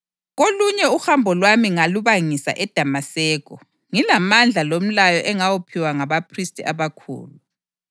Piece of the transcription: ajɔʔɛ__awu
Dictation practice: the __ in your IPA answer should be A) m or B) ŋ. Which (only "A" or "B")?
B